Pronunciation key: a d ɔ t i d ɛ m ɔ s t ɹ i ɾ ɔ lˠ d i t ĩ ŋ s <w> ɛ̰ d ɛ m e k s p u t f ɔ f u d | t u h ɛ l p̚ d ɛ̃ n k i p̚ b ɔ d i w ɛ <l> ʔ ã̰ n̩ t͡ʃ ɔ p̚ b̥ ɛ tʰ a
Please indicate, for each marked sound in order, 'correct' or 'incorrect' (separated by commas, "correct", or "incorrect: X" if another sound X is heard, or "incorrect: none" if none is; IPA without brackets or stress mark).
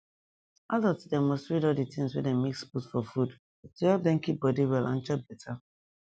correct, correct